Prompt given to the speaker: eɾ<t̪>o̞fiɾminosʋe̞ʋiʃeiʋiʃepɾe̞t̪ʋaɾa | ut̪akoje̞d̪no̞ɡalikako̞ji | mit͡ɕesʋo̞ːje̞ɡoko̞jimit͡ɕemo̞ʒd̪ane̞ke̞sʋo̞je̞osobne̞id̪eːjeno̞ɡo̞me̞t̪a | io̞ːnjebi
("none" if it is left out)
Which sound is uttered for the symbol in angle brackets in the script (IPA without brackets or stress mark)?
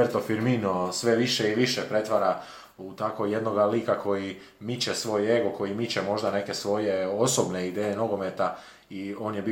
t̪